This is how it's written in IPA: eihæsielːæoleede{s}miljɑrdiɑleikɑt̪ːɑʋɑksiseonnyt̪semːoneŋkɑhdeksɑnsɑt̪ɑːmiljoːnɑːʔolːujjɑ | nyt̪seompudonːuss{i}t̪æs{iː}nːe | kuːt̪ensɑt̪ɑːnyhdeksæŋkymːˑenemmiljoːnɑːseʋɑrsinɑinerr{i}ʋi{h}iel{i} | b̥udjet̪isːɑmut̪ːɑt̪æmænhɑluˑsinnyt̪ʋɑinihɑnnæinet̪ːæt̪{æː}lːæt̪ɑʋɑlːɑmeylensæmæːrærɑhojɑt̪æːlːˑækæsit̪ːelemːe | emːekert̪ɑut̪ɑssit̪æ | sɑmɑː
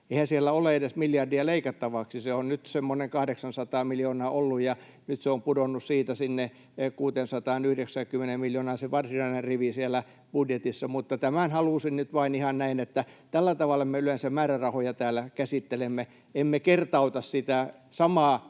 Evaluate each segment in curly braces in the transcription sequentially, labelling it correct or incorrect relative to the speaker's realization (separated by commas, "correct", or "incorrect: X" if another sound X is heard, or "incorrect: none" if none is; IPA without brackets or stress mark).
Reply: correct, incorrect: iː, incorrect: i, correct, incorrect: s, incorrect: æ, incorrect: æ